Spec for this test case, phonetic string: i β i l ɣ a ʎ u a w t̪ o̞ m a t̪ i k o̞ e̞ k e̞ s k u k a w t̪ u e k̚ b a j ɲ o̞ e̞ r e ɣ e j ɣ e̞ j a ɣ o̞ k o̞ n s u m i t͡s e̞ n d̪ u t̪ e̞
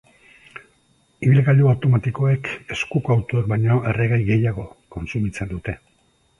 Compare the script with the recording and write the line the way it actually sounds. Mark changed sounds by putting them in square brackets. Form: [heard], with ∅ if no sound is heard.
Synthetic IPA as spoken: i β i l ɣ a ʎ u a w t̪ o̞ m a t̪ i k o̞ e̞ k e̞ s k u k a w t̪ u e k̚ b a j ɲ o̞ e̞ r e ɣ [a] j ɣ e̞ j a ɣ o̞ k o̞ n s u m i t͡s e̞ n d̪ u t̪ e̞